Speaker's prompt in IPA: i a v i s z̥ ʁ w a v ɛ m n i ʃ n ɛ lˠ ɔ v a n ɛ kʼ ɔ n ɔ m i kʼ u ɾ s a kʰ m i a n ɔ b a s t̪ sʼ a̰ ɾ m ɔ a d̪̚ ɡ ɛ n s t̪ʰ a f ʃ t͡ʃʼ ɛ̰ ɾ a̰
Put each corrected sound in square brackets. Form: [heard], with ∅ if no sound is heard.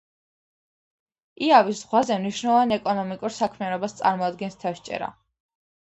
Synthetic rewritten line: i a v i s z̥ ʁ w a [z] ɛ m n i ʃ n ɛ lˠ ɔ v a n ɛ kʼ ɔ n ɔ m i kʼ u ɾ s a kʰ m i a n ɔ b a s t̪ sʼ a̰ ɾ m ɔ a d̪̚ ɡ ɛ n s t̪ʰ a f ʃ t͡ʃʼ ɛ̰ ɾ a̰